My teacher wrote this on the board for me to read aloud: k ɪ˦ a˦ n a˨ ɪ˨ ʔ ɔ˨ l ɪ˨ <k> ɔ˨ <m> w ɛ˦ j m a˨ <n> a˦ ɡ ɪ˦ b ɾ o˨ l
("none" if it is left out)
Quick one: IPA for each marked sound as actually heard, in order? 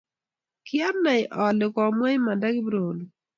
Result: k, m, d

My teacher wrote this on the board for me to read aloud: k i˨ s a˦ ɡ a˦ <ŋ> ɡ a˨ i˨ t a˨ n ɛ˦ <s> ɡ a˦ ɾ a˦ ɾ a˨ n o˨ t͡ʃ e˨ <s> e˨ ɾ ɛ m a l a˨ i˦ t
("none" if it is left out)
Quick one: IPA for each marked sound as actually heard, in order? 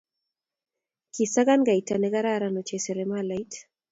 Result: n, none, s

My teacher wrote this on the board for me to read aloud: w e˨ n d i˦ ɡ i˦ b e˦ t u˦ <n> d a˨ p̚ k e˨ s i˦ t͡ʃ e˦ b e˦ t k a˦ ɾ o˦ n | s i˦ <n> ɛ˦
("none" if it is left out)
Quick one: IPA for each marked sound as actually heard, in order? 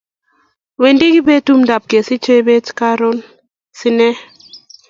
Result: m, n

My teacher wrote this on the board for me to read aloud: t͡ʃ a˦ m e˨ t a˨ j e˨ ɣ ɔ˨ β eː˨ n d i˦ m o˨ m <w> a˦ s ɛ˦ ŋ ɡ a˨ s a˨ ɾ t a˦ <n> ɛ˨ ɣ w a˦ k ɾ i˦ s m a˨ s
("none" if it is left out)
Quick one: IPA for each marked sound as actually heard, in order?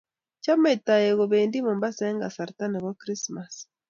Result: b, n

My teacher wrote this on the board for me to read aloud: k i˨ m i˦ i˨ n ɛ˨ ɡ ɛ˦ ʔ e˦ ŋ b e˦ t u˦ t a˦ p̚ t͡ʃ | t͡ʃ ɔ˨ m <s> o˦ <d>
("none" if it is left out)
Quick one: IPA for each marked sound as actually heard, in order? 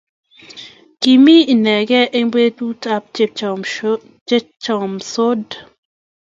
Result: s, d

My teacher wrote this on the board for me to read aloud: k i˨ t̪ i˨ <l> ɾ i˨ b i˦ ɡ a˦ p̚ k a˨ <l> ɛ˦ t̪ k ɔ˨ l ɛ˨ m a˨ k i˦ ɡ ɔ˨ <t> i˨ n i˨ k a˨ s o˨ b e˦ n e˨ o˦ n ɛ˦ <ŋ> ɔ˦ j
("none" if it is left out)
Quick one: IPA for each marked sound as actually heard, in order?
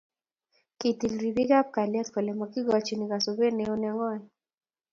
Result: l, l, t͡ʃ, ŋ

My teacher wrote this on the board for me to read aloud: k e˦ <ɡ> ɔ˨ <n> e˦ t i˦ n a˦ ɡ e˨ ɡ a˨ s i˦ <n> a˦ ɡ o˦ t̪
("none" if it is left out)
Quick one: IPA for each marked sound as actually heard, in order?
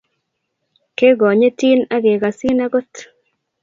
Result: ɡ, ɲ, n

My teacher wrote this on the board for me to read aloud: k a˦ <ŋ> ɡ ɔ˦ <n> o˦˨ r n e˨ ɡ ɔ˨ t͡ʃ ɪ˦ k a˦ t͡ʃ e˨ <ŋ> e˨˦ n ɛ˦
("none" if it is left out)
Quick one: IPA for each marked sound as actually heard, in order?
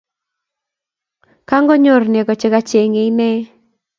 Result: ŋ, ɲ, ŋ

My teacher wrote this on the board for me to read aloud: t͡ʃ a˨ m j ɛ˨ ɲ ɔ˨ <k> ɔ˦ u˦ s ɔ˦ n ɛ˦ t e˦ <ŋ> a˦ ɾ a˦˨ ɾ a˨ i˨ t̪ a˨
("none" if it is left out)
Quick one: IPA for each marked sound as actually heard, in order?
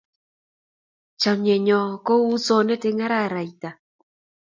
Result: k, ŋ

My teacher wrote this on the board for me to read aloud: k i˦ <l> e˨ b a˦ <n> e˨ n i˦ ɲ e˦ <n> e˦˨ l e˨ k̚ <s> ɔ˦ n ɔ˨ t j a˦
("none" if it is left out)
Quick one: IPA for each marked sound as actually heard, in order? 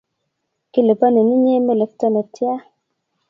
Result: l, n, m, t

